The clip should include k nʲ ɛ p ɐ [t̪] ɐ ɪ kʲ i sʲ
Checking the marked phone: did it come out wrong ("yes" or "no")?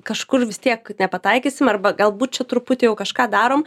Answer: no